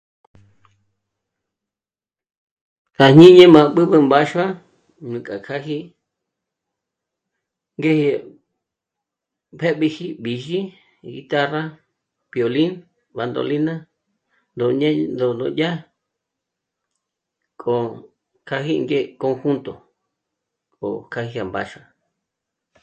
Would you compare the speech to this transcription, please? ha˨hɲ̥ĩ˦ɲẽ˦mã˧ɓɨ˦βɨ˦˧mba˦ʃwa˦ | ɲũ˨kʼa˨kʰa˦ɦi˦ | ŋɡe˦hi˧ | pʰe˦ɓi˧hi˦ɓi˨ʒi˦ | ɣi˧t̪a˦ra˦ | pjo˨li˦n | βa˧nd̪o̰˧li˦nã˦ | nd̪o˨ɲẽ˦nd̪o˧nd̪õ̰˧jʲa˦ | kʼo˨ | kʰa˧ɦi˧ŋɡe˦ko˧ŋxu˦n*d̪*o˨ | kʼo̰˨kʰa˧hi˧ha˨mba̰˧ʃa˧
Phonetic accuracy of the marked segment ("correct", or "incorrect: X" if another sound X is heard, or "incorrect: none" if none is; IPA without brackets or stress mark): incorrect: t̪